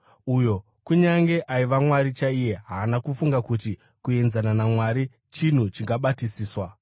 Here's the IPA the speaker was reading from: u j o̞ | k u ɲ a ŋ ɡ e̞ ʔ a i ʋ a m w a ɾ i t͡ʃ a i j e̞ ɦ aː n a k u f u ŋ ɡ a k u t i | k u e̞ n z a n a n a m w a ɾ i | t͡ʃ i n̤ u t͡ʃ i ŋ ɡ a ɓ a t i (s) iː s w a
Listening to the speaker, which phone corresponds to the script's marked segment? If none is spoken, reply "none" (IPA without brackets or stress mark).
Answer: s